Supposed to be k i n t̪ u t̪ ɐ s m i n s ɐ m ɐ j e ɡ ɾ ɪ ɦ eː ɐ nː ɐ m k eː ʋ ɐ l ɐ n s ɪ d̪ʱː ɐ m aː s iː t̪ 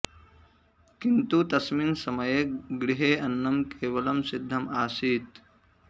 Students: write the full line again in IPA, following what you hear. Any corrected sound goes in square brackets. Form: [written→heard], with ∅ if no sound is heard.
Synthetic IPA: k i n t̪ u t̪ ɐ s m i n s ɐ m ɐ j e ɡ ɾ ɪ ɦ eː ɐ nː ɐ m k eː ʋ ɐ l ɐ [n→m] s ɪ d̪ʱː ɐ m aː s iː t̪